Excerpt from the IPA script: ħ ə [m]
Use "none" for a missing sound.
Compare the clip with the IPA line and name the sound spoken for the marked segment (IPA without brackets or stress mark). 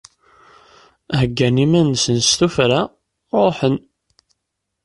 n